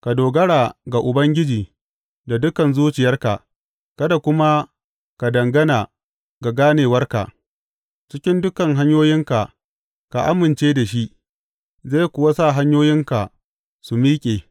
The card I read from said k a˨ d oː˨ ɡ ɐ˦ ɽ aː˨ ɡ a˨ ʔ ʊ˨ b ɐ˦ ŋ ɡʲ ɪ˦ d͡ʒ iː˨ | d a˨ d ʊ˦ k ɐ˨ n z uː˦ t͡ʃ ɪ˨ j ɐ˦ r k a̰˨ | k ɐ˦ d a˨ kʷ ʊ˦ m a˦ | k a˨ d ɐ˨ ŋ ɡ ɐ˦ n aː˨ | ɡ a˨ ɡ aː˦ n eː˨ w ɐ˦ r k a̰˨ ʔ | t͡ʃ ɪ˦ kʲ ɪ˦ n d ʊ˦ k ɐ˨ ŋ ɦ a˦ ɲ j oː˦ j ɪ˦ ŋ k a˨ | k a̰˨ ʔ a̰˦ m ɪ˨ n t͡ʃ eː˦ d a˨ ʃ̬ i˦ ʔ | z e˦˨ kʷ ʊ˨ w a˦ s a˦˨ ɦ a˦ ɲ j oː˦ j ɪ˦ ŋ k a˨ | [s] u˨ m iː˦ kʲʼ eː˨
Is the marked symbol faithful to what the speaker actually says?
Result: yes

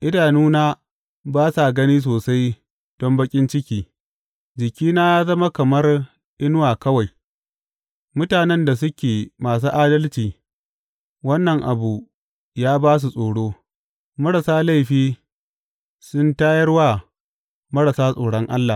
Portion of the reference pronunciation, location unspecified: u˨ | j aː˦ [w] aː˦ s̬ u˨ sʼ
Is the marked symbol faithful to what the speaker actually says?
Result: no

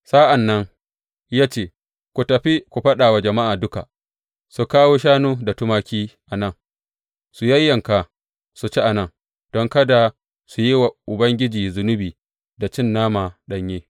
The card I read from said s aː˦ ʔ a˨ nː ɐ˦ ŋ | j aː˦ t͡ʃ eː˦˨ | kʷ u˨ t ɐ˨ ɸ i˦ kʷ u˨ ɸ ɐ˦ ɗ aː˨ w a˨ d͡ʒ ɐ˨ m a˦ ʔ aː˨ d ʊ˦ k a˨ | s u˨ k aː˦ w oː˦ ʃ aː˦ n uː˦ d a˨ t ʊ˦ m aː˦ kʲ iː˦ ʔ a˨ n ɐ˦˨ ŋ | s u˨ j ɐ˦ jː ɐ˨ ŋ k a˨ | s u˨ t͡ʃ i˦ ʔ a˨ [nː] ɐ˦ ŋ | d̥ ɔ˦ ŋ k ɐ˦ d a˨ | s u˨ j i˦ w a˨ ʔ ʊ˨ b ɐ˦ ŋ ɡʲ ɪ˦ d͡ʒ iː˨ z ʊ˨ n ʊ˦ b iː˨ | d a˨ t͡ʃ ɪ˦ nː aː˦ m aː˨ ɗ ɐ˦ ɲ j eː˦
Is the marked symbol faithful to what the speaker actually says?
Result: no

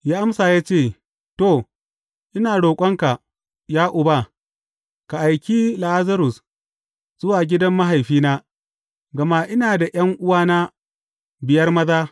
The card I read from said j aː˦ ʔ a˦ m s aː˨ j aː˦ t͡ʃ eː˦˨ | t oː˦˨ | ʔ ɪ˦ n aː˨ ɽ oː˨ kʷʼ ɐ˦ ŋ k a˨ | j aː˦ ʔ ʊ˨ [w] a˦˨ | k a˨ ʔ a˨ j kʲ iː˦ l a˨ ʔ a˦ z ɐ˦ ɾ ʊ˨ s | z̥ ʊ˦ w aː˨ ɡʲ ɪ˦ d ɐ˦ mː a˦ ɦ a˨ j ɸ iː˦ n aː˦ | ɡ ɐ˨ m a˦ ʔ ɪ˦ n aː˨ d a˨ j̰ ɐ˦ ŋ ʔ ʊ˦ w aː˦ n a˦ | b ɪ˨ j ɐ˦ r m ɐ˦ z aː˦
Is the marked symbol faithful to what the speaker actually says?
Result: no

